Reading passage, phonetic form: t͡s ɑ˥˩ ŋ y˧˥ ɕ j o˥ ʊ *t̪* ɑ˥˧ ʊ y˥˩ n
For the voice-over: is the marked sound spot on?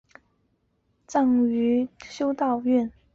yes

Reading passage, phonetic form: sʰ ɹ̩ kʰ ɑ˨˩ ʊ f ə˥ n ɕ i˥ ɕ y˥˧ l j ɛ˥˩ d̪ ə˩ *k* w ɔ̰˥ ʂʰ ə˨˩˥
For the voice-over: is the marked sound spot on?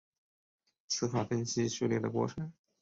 yes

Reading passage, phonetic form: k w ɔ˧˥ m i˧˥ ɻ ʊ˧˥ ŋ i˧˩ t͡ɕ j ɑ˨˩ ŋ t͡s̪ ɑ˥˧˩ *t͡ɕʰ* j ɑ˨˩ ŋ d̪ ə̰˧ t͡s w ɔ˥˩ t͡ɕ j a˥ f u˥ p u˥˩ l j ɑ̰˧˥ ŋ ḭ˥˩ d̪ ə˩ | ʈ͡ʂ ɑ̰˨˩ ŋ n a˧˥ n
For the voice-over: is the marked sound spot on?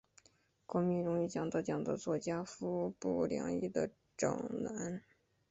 no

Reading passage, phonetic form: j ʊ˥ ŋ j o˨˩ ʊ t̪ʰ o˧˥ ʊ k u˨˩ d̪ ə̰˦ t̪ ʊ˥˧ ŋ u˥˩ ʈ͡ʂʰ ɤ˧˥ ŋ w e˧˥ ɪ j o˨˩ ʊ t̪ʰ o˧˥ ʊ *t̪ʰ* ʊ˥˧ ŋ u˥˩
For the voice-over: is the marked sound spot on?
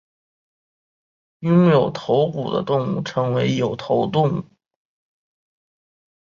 no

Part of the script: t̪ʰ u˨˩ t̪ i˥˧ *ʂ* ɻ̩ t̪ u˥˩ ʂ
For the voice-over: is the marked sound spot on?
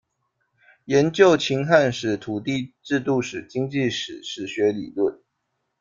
no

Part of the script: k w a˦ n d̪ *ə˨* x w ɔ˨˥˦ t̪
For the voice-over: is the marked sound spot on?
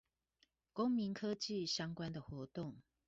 yes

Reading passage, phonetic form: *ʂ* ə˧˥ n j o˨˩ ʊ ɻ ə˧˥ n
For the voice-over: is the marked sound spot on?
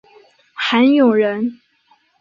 no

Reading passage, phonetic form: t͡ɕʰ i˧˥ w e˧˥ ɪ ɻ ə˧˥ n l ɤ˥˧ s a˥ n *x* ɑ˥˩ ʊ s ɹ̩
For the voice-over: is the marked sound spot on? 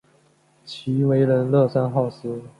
yes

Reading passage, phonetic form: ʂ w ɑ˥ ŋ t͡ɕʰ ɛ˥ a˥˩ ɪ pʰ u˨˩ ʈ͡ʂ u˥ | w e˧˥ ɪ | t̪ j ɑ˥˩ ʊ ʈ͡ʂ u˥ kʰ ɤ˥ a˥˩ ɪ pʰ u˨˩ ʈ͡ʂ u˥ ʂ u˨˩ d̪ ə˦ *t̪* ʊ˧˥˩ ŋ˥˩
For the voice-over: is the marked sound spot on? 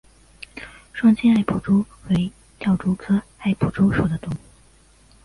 yes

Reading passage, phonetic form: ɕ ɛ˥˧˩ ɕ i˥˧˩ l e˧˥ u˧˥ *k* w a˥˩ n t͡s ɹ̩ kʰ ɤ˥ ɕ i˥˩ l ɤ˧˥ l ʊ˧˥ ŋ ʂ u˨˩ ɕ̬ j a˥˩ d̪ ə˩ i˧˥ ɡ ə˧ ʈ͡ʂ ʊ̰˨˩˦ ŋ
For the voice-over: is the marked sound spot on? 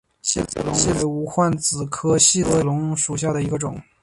no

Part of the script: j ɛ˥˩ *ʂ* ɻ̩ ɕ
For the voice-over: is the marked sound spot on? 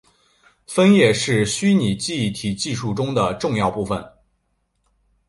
yes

